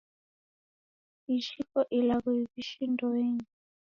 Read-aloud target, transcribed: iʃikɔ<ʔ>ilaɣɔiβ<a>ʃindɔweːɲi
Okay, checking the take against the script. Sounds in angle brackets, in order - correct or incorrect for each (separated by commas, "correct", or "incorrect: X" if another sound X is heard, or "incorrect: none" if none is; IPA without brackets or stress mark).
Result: correct, incorrect: i